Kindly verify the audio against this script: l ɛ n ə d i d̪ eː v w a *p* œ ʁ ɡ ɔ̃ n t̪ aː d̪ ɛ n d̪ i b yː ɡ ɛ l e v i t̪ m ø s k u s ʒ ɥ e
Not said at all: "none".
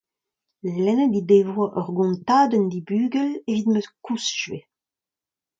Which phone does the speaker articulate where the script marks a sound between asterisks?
ʔ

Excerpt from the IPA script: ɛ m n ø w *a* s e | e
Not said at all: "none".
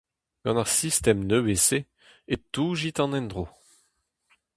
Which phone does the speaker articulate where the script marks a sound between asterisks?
e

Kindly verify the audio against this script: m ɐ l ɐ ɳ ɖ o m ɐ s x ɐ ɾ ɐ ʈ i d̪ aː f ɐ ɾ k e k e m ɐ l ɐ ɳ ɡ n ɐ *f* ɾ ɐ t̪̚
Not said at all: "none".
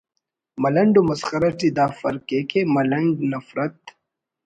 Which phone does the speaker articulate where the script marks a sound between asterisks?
f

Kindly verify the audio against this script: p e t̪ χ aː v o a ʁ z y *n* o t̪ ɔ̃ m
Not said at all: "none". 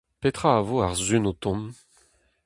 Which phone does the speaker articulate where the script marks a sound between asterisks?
n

